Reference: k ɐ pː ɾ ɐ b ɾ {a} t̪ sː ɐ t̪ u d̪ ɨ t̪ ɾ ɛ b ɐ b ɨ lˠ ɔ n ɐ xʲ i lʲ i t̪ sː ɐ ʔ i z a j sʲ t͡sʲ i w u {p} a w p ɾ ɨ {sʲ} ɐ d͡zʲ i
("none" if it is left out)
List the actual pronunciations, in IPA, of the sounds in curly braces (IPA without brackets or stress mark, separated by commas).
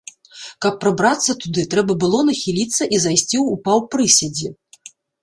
a, p, sʲ